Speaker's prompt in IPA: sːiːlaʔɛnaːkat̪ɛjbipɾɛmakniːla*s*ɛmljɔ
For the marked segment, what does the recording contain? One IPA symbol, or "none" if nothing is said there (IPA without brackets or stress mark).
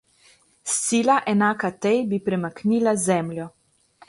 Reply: z